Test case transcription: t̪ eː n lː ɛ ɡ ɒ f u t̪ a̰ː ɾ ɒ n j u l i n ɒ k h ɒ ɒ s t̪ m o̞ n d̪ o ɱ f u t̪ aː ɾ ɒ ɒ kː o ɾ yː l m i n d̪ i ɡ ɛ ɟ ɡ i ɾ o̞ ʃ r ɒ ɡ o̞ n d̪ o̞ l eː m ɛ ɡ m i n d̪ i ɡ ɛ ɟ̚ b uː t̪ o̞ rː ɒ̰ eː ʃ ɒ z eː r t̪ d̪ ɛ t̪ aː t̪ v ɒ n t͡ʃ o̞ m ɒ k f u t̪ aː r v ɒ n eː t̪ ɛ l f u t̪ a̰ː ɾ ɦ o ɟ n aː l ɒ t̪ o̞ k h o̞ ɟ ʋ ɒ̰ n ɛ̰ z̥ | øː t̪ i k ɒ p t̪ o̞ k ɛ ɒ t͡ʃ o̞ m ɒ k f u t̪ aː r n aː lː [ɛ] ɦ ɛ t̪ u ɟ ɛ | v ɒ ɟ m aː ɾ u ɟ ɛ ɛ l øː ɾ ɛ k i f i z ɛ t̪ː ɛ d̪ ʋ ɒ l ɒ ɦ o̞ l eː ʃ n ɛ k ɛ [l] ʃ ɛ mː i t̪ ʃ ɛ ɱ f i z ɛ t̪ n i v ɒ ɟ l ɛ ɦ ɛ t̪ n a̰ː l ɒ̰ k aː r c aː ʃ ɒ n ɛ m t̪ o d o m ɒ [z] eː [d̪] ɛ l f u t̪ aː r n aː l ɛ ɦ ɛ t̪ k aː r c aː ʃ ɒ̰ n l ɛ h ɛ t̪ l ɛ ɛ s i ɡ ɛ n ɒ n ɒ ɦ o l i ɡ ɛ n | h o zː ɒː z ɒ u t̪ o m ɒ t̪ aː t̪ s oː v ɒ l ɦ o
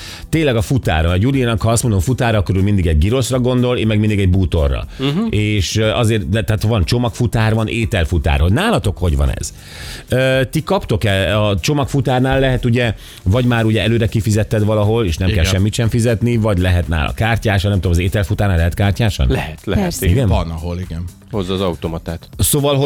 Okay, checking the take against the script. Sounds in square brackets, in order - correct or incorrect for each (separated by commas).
correct, correct, correct, incorrect